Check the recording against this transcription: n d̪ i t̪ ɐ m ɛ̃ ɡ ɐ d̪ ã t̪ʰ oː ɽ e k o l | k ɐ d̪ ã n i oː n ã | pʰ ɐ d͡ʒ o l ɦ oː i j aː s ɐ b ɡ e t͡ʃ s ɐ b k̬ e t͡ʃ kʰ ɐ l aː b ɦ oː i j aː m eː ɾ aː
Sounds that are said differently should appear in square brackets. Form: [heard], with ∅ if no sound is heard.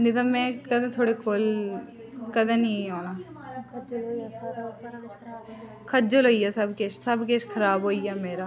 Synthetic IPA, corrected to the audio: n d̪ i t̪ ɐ m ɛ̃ [k] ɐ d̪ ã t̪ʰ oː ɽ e k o l | k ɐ d̪ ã n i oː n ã | [kʰ] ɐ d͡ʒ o l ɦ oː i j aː s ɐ b [k] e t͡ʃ s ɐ b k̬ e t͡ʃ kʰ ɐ [ɾ] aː b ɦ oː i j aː m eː ɾ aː